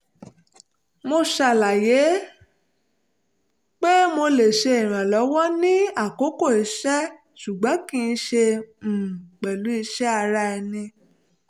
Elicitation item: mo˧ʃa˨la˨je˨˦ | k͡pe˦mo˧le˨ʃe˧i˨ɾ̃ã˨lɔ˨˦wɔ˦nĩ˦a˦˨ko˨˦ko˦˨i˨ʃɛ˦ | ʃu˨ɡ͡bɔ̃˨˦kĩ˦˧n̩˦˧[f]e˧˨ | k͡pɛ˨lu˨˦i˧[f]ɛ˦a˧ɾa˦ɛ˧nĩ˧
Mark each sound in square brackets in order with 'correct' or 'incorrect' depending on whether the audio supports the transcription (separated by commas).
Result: incorrect, incorrect